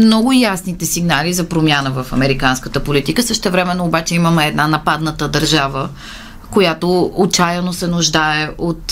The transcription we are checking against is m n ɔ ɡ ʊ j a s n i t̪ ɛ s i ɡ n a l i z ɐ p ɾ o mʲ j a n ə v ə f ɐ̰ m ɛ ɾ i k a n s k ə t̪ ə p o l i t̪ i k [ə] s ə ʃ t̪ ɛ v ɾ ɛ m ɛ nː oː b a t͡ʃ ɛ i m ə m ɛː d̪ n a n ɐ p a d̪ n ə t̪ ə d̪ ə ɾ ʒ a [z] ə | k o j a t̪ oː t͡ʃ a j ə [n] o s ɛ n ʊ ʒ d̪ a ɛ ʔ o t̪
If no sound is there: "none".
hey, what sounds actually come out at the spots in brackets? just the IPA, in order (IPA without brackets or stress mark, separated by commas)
ə, v, n